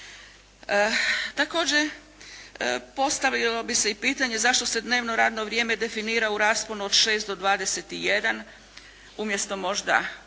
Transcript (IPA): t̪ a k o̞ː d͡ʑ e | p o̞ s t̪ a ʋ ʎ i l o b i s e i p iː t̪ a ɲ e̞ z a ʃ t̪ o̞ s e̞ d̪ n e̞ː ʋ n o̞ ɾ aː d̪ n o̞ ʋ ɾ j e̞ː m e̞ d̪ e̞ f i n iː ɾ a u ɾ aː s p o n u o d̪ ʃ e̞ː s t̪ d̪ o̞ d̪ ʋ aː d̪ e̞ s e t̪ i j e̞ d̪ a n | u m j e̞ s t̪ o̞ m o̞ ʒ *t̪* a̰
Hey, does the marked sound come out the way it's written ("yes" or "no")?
no